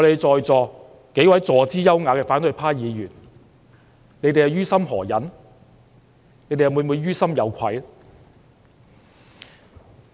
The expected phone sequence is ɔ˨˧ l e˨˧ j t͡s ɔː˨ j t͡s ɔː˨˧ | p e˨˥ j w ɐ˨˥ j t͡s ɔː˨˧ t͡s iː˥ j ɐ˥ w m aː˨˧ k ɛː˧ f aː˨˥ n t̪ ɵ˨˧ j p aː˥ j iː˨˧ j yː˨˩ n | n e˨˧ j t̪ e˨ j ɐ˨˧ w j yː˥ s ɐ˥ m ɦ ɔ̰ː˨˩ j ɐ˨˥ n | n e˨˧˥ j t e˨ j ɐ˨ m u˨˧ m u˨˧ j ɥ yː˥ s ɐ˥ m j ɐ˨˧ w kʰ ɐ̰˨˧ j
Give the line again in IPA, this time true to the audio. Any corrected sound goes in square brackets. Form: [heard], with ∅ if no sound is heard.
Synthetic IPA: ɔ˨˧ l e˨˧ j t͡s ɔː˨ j t͡s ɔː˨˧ | [k] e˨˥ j w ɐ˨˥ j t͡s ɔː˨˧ t͡s iː˥ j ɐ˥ w [ŋ] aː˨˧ k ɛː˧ f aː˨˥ n t̪ ɵ˨˧ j [pʰ] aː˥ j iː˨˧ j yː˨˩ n | n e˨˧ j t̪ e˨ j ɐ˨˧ w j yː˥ s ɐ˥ m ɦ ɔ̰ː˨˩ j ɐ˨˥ n | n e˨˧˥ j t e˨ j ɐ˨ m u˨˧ m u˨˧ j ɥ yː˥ s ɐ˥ m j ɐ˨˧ w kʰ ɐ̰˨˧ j